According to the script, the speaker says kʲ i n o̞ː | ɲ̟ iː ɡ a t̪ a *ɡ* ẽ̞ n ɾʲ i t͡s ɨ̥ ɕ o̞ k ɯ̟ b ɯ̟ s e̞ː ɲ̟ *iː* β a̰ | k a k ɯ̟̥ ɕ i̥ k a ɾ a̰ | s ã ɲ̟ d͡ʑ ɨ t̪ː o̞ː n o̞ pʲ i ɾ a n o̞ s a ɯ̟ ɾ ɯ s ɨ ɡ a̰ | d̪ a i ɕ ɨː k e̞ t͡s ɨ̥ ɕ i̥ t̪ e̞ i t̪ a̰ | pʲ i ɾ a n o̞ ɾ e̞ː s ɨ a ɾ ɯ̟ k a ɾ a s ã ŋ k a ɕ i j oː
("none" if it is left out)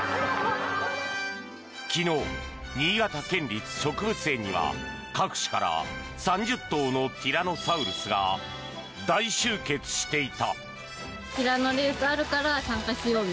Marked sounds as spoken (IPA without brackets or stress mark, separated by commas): k, i